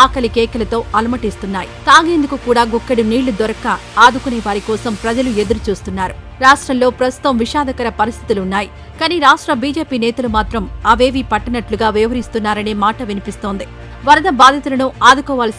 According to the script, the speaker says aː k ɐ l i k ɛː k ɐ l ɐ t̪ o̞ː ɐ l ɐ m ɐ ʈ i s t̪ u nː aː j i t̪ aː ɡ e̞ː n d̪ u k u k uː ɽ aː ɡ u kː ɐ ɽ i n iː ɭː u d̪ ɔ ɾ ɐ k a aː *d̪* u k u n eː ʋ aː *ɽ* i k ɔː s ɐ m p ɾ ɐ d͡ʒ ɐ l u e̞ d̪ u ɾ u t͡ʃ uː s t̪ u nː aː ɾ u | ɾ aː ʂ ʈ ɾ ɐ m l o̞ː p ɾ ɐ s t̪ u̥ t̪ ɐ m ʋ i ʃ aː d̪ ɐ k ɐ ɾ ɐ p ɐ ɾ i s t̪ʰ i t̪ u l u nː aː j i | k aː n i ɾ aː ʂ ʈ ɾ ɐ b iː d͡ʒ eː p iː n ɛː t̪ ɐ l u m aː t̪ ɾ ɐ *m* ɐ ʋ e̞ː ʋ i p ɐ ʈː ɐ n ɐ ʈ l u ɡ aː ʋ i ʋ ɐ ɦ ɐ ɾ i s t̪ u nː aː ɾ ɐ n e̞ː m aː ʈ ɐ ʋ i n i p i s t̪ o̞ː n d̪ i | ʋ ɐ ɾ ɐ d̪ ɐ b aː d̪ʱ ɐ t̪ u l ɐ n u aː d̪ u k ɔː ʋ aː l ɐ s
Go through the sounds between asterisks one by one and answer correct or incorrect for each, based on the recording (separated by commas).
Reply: correct, incorrect, correct